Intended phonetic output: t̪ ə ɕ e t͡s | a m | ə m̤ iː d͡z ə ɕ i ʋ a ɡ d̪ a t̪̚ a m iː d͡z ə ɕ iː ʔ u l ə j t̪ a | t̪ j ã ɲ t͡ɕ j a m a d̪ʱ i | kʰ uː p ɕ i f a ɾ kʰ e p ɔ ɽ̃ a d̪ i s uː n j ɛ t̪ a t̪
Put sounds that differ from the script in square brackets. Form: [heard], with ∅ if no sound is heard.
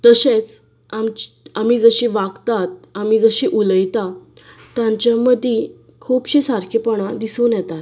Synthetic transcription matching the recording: t̪ ə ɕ e t͡s | a m | [a] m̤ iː d͡z ə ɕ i ʋ a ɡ [t̪] a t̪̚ a m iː d͡z ə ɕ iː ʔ u l ə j t̪ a | t̪ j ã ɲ t͡ɕ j a m [ə] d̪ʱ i | kʰ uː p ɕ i [s] a ɾ kʰ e p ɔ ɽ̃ a d̪ i s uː n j ɛ t̪ a t̪